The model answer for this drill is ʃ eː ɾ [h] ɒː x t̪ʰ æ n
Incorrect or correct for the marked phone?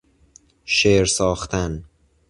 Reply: incorrect: s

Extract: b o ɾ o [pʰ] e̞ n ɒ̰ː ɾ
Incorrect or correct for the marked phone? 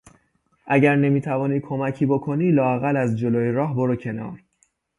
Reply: incorrect: cʰ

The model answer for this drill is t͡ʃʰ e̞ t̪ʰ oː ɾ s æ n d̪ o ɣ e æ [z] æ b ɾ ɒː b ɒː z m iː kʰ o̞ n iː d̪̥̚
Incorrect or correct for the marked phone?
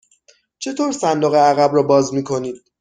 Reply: incorrect: ɣ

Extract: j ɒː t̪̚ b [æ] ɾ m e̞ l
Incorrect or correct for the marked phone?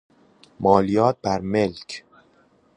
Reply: correct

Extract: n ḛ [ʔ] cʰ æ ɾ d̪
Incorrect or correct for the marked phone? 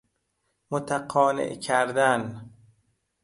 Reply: correct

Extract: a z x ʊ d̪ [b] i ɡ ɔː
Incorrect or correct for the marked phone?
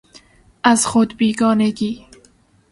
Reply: correct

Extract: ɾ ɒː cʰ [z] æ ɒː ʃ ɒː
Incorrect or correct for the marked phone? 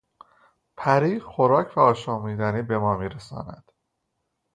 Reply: incorrect: v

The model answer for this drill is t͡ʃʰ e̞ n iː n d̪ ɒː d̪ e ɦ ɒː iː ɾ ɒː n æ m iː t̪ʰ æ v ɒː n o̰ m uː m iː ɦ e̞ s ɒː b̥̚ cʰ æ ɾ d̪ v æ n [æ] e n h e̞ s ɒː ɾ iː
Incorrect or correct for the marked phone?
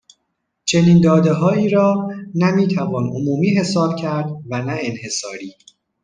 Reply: correct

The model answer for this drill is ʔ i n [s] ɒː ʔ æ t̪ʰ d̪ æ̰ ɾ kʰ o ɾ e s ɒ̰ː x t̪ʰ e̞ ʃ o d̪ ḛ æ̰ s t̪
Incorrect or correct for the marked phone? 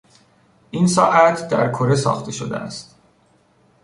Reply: correct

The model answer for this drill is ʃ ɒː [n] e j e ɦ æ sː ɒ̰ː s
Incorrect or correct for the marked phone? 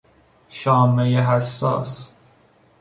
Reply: incorrect: m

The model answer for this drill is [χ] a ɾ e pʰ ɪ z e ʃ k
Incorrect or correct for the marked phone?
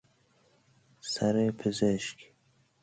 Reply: incorrect: s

